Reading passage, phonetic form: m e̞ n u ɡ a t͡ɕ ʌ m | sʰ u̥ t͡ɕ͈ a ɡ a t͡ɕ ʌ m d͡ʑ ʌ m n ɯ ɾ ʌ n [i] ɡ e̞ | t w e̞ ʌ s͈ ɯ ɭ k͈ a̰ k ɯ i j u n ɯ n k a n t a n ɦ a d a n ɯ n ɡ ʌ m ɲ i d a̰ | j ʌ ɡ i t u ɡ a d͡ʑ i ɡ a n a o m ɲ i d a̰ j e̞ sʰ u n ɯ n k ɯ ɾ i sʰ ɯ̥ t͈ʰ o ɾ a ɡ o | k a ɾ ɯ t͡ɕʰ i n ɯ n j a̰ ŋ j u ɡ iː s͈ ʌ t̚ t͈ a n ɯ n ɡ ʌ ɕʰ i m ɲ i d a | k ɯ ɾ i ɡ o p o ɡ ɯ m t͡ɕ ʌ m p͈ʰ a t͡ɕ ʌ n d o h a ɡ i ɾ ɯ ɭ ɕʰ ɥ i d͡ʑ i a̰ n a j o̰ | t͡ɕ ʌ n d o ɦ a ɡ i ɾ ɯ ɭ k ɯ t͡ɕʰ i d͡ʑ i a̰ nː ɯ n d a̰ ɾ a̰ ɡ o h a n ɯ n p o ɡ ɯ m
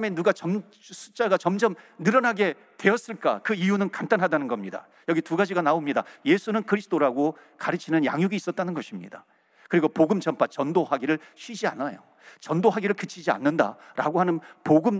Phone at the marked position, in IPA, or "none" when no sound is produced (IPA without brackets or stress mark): a